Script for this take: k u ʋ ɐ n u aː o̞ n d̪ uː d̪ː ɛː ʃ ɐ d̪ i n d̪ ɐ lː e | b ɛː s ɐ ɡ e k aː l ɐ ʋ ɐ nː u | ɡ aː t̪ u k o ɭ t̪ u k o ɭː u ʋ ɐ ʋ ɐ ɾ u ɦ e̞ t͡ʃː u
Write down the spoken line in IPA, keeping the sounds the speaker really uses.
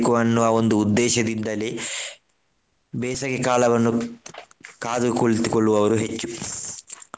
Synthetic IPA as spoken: k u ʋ ɐ nː u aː o̞ n d̪ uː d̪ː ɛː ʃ ɐ d̪ i n d̪ ɐ l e | b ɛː s ɐ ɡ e k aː l ɐ ʋ ɐ nː u | k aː d̪ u k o ɭ t̪ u k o ɭː u ʋ ɐ ʋ ɐ ɾ u ɦ e̞ t͡ʃː u